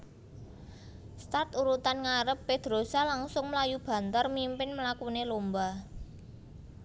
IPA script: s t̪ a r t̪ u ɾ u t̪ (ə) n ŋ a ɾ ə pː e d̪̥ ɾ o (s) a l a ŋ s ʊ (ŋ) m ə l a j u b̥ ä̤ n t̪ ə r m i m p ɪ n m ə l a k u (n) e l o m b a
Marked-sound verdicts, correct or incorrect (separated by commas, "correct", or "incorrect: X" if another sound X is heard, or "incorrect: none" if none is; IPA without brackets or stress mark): incorrect: a, correct, correct, correct